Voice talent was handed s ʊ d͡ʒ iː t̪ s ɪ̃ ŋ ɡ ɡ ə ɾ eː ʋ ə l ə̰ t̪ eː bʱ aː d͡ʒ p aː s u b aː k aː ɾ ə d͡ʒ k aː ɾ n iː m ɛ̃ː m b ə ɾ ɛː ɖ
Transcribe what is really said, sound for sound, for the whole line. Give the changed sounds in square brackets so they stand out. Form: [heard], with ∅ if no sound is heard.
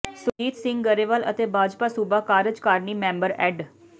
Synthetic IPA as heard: s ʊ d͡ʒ iː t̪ s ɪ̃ ŋ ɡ ɡ ə ɾ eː ʋ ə l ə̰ t̪ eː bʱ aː d͡ʒ p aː s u b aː k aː ɾ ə d͡ʒ k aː ɾ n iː m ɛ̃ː m b ə ɾ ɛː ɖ